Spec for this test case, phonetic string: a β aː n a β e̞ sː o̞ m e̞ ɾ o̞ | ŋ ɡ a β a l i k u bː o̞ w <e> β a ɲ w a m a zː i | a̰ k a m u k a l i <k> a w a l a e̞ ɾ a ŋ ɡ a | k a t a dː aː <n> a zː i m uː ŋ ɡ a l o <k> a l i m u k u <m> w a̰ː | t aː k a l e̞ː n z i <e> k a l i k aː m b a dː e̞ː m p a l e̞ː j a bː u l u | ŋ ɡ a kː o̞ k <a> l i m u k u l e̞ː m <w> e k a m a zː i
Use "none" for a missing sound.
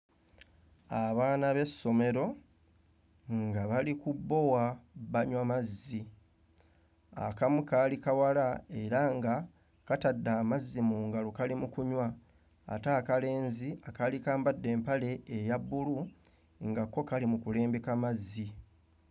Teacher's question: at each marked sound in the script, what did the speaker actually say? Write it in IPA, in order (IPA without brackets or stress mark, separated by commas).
a, k, m, k, ɲ, a, a, b